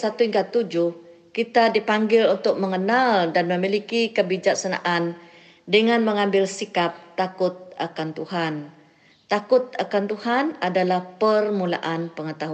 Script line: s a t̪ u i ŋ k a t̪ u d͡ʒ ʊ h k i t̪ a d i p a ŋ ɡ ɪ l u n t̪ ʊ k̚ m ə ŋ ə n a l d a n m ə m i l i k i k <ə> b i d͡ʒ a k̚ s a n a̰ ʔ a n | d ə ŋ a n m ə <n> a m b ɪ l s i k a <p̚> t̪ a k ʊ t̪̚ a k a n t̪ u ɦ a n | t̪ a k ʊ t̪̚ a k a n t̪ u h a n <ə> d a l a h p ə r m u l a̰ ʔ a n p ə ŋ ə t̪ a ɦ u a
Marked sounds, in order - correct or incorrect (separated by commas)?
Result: correct, incorrect, correct, incorrect